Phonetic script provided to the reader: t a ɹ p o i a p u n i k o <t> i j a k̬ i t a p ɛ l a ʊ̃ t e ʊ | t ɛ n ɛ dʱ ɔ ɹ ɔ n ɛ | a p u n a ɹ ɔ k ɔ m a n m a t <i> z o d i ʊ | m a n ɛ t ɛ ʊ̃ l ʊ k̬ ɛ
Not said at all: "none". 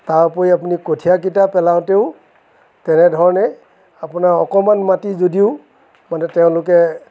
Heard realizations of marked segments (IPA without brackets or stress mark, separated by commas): tʰ, i